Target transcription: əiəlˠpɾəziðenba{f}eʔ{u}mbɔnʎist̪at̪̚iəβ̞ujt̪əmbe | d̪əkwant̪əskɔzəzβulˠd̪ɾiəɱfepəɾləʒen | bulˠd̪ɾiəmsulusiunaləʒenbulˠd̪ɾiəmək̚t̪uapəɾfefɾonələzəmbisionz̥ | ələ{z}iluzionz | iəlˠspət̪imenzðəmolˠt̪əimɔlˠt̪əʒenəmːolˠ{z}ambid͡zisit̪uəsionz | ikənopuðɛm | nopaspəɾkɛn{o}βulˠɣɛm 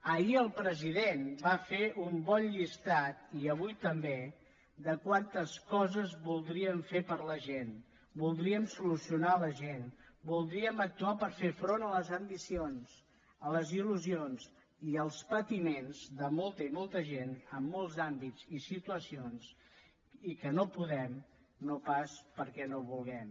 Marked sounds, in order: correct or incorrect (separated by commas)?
correct, correct, correct, correct, correct